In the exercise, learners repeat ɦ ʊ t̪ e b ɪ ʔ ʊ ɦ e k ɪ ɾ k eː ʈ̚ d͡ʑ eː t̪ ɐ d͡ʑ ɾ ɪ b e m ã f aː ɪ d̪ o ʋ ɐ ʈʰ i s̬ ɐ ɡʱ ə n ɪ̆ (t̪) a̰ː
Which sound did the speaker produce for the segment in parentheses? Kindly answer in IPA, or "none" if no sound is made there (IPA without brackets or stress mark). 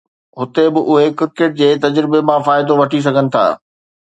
t̪ʰ